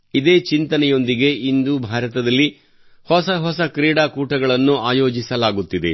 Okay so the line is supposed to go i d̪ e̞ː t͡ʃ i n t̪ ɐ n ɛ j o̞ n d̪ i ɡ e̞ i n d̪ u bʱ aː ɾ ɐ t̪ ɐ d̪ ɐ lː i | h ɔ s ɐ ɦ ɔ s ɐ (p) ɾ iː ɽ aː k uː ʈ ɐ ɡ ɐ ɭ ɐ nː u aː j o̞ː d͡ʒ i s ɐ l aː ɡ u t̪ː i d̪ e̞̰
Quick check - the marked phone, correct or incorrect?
incorrect